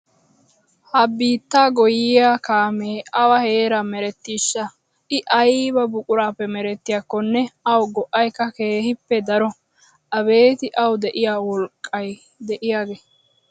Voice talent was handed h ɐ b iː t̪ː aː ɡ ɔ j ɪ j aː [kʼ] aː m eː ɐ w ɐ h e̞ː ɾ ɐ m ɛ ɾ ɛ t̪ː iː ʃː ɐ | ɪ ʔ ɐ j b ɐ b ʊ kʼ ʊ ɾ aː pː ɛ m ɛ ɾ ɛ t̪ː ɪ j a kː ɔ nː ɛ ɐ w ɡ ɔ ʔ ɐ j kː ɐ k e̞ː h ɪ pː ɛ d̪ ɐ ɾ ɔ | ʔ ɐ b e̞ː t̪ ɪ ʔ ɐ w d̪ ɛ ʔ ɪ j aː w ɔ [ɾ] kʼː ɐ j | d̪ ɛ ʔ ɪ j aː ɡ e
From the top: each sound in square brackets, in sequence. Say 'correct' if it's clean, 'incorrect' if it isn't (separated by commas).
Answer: incorrect, incorrect